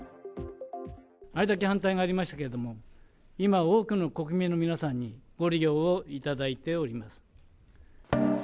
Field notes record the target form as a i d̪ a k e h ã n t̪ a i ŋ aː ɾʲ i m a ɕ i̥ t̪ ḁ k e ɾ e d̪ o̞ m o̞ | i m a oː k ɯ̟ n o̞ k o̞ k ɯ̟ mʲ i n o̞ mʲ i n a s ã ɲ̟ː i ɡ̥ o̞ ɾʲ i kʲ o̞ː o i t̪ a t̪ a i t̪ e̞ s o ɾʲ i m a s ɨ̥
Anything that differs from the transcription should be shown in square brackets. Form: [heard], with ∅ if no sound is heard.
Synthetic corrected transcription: a i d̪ a k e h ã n t̪ a i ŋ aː ɾʲ i m a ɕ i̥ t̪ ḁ k e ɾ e d̪ o̞ m o̞ | i m a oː k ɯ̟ n o̞ k o̞ k ɯ̟ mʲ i n o̞ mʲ i n a s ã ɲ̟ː i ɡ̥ o̞ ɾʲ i [ɡʲ] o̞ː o i t̪ a [d̪] a i t̪ e̞ [∅] o ɾʲ i m a s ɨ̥